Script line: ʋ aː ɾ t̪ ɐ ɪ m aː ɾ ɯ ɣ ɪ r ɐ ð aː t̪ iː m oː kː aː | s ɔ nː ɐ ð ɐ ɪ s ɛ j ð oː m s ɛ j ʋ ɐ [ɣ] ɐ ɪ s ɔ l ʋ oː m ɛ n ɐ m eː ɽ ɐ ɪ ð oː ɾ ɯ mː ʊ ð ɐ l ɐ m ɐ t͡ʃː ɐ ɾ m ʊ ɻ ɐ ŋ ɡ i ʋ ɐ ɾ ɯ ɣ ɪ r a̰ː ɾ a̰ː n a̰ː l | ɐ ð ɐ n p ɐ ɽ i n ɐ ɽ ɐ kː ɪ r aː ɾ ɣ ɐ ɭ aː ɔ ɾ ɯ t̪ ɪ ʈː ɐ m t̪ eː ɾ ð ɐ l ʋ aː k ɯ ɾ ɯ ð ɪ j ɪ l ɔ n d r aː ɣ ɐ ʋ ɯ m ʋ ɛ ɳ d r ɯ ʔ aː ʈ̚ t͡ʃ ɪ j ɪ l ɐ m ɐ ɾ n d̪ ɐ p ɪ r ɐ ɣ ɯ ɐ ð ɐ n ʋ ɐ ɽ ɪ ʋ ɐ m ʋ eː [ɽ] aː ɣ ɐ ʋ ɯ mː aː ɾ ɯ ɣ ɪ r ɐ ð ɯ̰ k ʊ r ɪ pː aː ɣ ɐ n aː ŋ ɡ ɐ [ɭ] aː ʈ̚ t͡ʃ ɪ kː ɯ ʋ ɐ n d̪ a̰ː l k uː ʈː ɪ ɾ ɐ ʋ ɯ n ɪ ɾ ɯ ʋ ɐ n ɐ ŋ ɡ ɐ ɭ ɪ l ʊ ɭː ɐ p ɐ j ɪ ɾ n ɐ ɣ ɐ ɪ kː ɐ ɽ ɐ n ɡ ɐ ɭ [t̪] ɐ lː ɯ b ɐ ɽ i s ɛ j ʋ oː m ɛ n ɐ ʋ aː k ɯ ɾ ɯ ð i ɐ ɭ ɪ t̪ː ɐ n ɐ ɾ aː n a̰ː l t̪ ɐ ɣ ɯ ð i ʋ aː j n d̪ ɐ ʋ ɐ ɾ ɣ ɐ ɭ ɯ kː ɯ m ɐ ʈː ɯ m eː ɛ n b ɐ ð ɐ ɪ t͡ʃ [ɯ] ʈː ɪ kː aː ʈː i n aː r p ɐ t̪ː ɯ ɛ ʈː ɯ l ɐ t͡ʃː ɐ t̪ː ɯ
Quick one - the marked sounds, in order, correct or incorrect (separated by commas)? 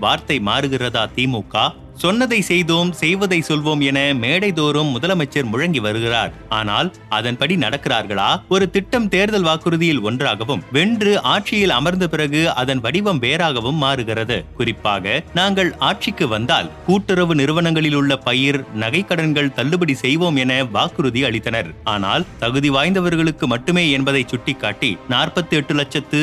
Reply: incorrect, incorrect, correct, correct, incorrect